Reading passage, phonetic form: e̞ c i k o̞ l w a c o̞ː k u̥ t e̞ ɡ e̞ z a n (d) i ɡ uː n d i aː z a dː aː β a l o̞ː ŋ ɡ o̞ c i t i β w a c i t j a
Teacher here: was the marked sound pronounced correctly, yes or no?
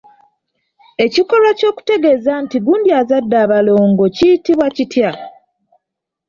no